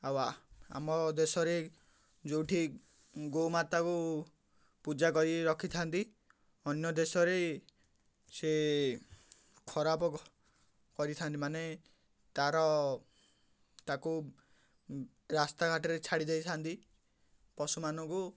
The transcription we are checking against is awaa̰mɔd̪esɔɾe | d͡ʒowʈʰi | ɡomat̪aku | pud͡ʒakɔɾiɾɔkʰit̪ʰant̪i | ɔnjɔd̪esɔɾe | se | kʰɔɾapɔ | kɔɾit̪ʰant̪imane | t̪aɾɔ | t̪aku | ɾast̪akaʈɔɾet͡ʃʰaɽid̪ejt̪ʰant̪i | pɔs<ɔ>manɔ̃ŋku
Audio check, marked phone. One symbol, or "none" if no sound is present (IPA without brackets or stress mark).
u